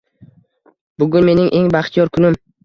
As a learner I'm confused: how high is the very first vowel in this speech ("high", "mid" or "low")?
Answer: high